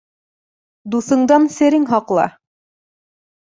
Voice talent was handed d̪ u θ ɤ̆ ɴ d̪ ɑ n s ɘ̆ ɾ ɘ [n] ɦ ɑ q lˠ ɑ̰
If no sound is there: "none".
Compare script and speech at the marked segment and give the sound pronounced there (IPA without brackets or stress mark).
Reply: ŋ